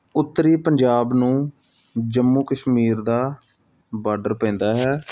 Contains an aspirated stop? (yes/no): no